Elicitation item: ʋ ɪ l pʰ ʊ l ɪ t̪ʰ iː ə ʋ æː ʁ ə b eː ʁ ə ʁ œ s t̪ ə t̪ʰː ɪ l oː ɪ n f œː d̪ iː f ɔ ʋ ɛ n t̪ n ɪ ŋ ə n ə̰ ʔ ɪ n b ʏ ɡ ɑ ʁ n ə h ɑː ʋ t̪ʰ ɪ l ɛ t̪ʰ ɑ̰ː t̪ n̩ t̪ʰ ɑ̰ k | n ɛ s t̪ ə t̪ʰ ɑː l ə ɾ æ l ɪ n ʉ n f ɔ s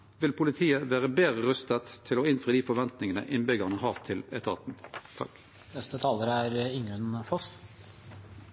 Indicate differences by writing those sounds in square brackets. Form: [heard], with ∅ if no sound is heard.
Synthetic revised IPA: ʋ ɪ l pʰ ʊ l ɪ t̪ʰ iː ə ʋ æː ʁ ə b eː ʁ ə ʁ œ s t̪ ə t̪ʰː ɪ l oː ɪ n f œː d̪ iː f ɔ ʋ ɛ n t̪ n ɪ ŋ ə n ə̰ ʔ ɪ n b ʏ ɡ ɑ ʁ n ə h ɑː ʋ t̪ʰ ɪ l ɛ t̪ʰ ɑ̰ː t̪ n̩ t̪ʰ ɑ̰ k | n ɛ s t̪ ə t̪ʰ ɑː l ə ɾ æ [ɾ] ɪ [ŋ] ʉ n f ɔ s

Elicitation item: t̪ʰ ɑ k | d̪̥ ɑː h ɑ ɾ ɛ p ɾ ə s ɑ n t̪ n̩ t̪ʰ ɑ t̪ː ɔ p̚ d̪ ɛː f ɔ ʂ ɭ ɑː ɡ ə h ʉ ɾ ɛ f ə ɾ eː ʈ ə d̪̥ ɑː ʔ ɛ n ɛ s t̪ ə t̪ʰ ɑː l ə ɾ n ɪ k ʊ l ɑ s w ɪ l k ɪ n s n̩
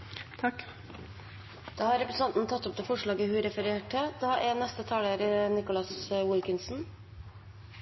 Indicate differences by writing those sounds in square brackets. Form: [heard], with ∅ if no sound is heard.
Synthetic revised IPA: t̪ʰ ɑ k | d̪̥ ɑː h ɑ ɾ ɛ p ɾ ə s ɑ n t̪ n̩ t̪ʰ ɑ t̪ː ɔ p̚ d̪ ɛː f ɔ ʂ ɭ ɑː ɡ ə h ʉ ɾ ɛ f ə ɾ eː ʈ ə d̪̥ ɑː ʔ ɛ n ɛ s t̪ ə t̪ʰ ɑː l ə ɾ n ɪ k ʊ l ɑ s w ɪ l k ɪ n s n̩

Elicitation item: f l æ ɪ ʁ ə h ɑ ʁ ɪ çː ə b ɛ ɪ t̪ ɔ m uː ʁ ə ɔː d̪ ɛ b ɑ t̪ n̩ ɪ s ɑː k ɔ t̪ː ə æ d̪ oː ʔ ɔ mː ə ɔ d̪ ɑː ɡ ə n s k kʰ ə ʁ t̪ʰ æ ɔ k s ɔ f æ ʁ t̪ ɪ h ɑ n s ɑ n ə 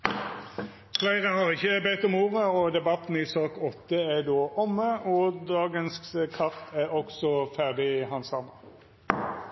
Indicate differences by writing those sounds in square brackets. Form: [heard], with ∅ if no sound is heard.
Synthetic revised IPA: f l æ ɪ ʁ ə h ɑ ʁ ɪ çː ə b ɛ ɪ t̪ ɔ m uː ʁ ə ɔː d̪ ɛ b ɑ t̪ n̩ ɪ s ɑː k ɔ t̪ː ə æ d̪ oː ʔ ɔ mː ə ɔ d̪ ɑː ɡ ə n s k kʰ [ɑ] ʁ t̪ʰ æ ɔ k s ɔ f æ ʁ [d̪] ɪ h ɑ n s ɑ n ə

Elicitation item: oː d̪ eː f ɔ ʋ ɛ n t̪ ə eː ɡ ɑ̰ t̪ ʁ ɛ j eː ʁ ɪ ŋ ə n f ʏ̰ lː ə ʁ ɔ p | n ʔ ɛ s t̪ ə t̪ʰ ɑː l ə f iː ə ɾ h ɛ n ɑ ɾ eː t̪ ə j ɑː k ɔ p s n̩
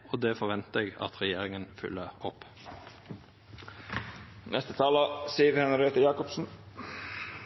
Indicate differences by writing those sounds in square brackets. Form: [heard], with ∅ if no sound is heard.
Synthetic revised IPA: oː d̪ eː f ɔ ʋ ɛ n t̪ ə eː ɡ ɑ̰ t̪ ʁ ɛ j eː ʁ ɪ ŋ ə n f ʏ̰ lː ə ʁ ɔ p | n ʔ ɛ s t̪ ə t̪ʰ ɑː l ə [s] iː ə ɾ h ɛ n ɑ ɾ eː t̪ ə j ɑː k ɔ p s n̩

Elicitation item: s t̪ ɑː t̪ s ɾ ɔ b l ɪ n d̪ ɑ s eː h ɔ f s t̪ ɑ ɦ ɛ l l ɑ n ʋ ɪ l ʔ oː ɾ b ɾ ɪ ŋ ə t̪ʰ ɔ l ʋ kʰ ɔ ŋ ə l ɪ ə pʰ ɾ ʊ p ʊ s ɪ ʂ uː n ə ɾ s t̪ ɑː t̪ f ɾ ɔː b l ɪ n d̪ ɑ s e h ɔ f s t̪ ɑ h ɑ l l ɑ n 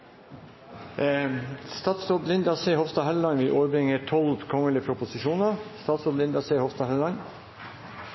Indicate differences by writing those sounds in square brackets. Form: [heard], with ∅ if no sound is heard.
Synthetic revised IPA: s t̪ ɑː t̪ s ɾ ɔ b l ɪ n d̪ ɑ s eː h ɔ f s t̪ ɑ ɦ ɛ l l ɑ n ʋ ɪ l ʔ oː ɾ b ɾ ɪ ŋ ə t̪ʰ ɔ l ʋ kʰ ɔ ŋ ə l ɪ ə pʰ ɾ ʊ p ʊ s ɪ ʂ uː n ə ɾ s t̪ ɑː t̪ [s] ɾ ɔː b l ɪ n d̪ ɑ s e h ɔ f s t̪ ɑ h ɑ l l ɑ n

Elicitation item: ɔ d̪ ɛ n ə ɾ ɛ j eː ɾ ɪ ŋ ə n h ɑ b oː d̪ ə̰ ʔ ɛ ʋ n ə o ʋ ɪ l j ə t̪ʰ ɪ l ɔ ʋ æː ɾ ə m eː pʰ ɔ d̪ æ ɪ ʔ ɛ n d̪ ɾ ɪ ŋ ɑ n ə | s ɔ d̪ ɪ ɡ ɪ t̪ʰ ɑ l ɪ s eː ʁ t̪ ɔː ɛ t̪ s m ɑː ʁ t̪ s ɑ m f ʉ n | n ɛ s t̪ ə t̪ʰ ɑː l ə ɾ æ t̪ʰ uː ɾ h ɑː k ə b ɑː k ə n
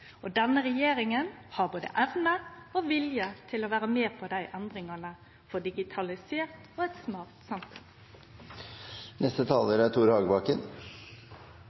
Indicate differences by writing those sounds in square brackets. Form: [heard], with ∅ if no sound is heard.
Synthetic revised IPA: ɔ d̪ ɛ n ə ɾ ɛ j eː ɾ ɪ ŋ ə n h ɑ b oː d̪ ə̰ ʔ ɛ ʋ n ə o ʋ ɪ l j ə t̪ʰ ɪ l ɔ ʋ æː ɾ ə m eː pʰ ɔ d̪ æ ɪ ʔ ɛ n d̪ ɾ ɪ ŋ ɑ n ə | [f] ɔ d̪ ɪ ɡ ɪ t̪ʰ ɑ l ɪ s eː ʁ t̪ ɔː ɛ t̪ s m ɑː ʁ t̪ s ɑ m f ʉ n | n ɛ s t̪ ə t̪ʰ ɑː l ə ɾ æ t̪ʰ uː ɾ h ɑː [ɡ] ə b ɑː k ə n

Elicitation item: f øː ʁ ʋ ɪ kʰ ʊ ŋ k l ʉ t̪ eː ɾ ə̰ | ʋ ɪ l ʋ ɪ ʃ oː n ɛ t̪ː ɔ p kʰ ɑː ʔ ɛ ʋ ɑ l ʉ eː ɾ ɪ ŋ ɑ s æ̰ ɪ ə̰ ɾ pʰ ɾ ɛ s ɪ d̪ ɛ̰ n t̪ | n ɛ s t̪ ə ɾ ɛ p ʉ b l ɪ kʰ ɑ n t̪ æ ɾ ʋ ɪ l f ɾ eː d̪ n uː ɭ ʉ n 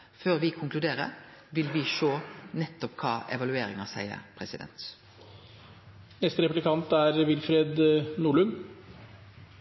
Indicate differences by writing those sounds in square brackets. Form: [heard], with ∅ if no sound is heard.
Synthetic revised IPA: f øː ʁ ʋ ɪ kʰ ʊ ŋ k l ʉ [d̪] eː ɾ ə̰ | ʋ ɪ l ʋ ɪ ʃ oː n ɛ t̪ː ɔ p kʰ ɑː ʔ ɛ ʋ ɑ l ʉ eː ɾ ɪ ŋ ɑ s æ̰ ɪ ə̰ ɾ pʰ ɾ ɛ s ɪ d̪ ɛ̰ n t̪ | n ɛ s t̪ ə ɾ ɛ p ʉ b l ɪ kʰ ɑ n t̪ æ ɾ ʋ ɪ l f ɾ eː d̪ n uː ɭ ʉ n

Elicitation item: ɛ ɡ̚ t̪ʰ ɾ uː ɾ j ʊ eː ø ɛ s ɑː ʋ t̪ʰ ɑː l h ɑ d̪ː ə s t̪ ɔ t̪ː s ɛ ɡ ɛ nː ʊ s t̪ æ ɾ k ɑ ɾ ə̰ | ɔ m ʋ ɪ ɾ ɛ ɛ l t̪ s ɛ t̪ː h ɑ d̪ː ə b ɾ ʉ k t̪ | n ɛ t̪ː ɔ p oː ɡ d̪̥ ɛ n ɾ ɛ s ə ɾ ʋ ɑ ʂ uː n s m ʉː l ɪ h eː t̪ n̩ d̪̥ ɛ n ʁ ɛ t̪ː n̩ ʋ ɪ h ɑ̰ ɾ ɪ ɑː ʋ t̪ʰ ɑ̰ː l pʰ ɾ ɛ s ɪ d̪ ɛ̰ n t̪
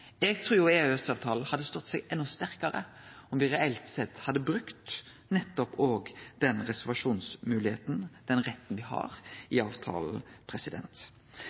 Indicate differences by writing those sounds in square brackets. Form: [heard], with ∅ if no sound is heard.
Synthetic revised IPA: ɛ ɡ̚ t̪ʰ ɾ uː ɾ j ʊ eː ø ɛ s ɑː ʋ t̪ʰ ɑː l h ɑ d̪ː ə s t̪ ɔ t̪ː s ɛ ɡ ɛ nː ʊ s t̪ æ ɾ k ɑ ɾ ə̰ | ɔ m ʋ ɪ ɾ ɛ ɛ l t̪ s ɛ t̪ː h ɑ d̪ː ə b ɾ ʉ k t̪ | n ɛ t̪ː ɔ p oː ɡ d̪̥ ɛ n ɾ ɛ s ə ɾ ʋ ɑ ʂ uː n s m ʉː l ɪ h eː t̪ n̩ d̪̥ ɛ n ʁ ɛ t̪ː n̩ ʋ ɪ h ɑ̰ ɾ ɪ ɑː ʋ t̪ʰ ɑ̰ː l pʰ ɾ ɛ s ɪ d̪ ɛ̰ n t̪

